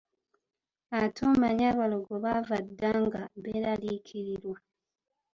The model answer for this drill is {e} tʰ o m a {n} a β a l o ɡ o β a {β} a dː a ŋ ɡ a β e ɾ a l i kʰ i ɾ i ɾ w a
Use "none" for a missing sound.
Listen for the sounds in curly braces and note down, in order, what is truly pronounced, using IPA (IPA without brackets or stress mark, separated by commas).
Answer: a, ɲ, v